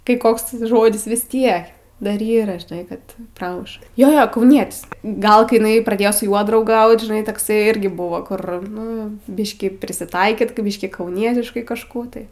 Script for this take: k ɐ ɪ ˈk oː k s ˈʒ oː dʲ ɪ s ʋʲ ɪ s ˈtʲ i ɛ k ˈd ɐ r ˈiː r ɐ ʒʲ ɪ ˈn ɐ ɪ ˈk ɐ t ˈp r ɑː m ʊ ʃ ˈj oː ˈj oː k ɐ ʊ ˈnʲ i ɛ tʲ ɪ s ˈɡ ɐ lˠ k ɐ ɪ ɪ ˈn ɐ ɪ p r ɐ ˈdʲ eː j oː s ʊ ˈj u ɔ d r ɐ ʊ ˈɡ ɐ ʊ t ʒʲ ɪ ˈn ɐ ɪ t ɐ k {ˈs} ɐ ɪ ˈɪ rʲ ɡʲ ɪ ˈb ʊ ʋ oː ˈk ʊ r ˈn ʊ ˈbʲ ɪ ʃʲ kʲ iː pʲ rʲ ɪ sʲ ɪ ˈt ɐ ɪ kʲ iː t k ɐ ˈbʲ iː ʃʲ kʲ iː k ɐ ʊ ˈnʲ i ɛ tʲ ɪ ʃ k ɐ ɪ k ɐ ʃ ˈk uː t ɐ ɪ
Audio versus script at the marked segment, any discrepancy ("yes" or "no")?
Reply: no